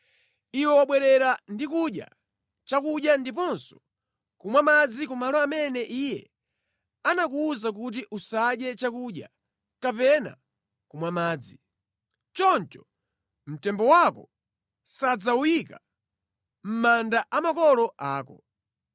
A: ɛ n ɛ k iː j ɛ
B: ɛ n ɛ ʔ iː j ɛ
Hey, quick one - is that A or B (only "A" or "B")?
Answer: B